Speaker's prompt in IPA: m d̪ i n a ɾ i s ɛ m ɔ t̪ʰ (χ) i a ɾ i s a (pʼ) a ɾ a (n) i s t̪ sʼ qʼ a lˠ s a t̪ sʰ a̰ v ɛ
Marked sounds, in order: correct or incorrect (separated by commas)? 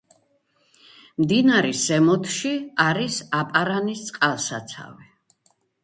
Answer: incorrect, correct, correct